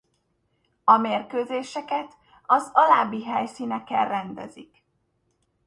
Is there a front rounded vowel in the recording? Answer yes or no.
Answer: yes